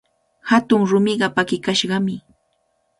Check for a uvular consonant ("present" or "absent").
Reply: present